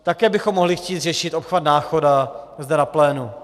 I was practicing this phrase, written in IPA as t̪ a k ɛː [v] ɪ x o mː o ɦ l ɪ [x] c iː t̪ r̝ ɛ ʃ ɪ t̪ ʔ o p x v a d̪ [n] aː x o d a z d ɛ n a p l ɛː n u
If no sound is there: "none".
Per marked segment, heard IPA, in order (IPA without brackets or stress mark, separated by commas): b, x, n